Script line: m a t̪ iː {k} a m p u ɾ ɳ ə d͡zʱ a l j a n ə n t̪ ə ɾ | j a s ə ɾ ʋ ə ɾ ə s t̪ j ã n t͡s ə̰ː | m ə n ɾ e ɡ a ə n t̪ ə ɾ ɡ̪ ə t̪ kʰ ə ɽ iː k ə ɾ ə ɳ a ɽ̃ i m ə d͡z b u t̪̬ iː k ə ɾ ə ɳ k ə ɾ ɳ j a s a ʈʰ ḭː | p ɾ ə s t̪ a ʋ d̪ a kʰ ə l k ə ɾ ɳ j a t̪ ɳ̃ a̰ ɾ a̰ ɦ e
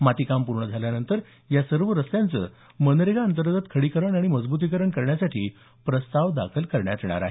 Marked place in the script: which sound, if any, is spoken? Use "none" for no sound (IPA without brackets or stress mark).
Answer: k